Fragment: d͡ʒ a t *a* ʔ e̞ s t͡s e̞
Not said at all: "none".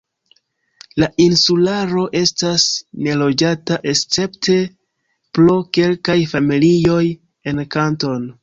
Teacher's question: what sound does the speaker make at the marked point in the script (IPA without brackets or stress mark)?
a